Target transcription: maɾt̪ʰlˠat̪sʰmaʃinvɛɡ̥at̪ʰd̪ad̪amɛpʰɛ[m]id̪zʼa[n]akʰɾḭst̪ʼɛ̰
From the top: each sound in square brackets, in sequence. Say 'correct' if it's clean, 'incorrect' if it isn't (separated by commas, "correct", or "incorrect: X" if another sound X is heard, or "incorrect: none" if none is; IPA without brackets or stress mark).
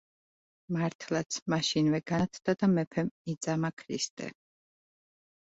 correct, incorrect: m